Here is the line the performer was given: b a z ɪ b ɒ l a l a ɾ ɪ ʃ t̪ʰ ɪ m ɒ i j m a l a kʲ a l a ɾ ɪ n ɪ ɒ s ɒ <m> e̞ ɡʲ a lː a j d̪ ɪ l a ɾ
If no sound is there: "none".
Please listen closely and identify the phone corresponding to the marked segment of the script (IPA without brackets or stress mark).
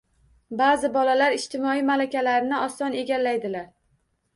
n